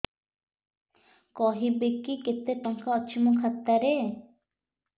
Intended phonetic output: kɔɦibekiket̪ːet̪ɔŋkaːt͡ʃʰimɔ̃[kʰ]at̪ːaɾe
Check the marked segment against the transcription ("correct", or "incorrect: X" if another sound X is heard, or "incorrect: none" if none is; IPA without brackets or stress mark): correct